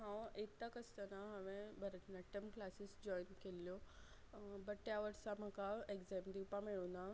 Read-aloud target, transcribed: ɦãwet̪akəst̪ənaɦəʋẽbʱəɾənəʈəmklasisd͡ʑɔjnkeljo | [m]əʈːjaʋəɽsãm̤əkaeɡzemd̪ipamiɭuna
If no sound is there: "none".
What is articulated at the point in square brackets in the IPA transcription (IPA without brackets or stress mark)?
b